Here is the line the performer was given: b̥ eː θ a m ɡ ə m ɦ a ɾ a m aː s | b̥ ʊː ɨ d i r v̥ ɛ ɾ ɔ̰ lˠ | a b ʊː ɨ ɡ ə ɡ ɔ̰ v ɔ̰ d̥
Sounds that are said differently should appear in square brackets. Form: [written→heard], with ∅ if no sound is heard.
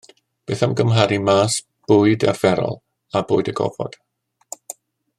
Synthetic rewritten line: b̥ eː θ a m ɡ ə m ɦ a ɾ [a→i] m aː s | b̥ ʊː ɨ d [i→a] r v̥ ɛ ɾ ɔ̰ lˠ | a b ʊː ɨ [ɡ→d] ə ɡ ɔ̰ v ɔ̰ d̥